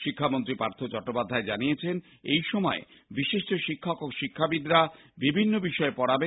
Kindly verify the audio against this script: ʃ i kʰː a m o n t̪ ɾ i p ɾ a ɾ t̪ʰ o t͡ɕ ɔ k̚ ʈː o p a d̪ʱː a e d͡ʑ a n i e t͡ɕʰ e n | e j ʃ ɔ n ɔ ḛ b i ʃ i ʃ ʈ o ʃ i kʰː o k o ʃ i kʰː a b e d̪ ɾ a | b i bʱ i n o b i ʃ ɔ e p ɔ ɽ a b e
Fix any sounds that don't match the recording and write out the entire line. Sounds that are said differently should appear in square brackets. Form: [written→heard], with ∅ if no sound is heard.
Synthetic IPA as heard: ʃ i kʰː a m o n t̪ ɾ i p ɾ a ɾ t̪ʰ o t͡ɕ ɔ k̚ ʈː o p a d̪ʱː a e d͡ʑ a n i e t͡ɕʰ e n | e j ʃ ɔ [n→m] ɔ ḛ b i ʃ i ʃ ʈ o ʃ i kʰː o k o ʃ i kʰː a b [e→i] d̪ ɾ a | b i bʱ i [n→nː] o b i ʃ ɔ e p ɔ ɽ a b e

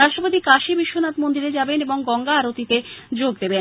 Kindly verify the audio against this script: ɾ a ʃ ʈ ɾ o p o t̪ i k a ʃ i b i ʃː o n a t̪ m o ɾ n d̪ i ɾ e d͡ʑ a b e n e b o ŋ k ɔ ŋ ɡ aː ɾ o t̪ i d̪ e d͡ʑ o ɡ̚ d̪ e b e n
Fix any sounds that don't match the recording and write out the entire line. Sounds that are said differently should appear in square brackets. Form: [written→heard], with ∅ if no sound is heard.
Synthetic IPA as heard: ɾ a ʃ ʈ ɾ o p o t̪ i k a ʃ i b i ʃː o n a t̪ m o [ɾ→∅] n d̪ i ɾ e d͡ʑ a b e n e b o ŋ [k→ɡ] ɔ ŋ ɡ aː ɾ o t̪ i [d̪→t̪] e d͡ʑ o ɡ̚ d̪ e b e n

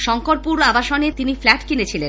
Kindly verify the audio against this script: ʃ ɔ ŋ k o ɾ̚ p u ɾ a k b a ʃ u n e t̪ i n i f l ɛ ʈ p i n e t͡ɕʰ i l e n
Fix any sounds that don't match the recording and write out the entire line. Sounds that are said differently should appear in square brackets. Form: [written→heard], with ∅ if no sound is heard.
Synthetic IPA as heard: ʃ ɔ ŋ k o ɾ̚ p u ɾ a [k→∅] b a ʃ [u→o] n e t̪ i n i f l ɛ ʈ [p→k] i n e t͡ɕʰ i l e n

